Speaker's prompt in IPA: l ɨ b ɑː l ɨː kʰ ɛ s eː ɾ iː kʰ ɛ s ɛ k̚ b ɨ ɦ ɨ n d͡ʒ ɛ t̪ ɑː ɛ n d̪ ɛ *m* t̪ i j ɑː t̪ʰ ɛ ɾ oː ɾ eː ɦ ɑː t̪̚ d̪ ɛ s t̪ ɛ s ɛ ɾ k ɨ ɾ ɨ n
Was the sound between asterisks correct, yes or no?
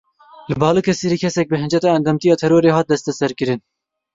yes